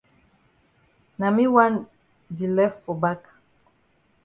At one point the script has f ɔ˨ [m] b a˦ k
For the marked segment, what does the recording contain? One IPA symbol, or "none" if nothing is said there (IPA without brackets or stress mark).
none